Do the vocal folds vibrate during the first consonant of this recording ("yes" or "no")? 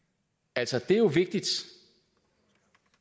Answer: yes